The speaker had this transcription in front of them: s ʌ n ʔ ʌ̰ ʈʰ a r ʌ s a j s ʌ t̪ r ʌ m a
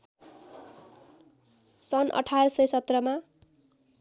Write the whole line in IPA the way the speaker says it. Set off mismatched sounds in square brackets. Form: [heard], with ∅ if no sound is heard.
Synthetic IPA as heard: s ʌ n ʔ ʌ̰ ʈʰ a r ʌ s [ʌ] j s ʌ t̪ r ʌ m a